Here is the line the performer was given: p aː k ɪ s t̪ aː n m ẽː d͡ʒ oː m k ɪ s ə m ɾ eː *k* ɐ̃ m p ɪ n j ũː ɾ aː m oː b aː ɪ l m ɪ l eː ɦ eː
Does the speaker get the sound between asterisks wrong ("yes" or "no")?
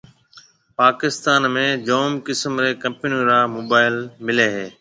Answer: no